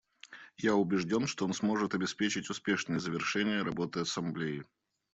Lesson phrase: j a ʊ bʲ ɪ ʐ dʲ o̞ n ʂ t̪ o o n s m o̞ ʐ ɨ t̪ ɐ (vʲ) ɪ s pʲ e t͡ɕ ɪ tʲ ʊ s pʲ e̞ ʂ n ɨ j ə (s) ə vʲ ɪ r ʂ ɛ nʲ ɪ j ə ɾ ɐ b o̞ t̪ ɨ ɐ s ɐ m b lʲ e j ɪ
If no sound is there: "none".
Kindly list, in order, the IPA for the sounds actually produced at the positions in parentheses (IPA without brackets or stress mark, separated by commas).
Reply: bʲ, z